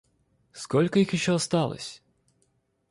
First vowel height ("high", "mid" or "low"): mid